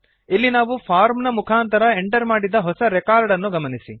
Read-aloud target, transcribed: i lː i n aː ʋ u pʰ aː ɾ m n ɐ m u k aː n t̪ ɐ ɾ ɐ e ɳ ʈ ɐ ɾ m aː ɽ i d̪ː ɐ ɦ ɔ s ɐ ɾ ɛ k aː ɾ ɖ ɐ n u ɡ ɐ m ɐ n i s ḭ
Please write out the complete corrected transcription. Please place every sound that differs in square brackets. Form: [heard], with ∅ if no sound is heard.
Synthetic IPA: i lː i n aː ʋ u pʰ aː ɾ m n ɐ m u [kʰ] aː n t̪ ɐ ɾ ɐ e ɳ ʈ ɐ ɾ m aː ɽ i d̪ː ɐ ɦ ɔ s ɐ ɾ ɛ k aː ɾ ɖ ɐ [nː] u ɡ ɐ m ɐ n i s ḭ